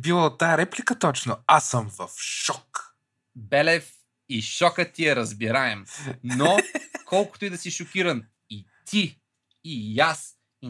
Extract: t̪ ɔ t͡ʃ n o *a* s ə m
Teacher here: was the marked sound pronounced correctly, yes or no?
yes